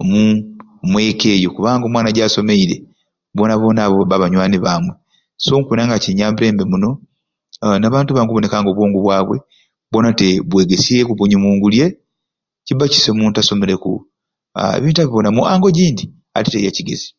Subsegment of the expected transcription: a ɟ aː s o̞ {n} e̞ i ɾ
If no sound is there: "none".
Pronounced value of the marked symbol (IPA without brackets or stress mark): m